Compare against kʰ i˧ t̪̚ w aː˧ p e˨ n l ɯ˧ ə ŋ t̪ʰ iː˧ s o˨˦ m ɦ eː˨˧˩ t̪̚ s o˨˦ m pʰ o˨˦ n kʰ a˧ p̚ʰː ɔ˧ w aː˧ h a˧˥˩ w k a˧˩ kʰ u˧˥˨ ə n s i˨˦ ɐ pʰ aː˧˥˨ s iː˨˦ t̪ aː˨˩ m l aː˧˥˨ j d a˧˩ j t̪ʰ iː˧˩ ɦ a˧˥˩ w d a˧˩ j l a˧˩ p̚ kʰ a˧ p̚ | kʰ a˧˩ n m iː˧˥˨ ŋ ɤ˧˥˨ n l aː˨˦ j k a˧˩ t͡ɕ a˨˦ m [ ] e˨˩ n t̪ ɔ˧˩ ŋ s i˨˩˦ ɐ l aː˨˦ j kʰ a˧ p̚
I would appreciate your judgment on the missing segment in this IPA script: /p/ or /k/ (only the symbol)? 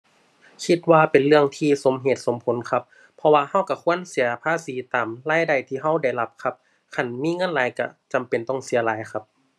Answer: p